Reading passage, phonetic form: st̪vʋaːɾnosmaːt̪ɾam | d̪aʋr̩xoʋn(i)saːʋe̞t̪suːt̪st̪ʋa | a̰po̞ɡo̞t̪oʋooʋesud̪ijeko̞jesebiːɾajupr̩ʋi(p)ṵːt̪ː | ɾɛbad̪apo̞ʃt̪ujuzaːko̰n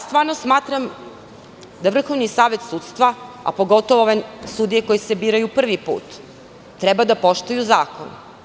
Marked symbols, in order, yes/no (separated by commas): yes, yes